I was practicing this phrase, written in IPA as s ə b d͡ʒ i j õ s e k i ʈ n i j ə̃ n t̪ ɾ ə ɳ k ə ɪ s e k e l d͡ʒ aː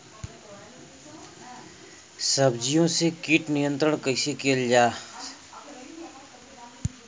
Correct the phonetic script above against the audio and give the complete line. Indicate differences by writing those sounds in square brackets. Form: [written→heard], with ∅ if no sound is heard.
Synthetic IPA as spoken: s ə b d͡ʒ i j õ s e k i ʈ n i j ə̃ n t̪ ɾ ə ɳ k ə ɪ s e k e l d͡ʒ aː